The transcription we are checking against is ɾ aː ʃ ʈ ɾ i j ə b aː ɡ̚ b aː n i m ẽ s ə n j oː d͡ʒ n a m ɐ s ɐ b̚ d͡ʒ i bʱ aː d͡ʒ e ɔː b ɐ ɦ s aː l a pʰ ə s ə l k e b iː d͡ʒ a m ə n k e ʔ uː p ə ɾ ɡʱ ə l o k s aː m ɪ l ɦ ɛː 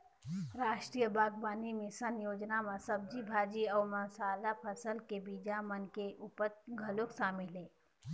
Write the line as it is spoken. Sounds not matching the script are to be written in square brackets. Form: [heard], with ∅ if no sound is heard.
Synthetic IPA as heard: ɾ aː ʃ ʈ ɾ i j ə b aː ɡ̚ b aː n i m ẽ s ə n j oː d͡ʒ n a m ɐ s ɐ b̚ d͡ʒ i bʱ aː d͡ʒ [i] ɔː [m] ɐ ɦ s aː l a pʰ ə s ə l k e b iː d͡ʒ a m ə n k e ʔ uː p ə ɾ ɡʱ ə l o k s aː m ɪ l ɦ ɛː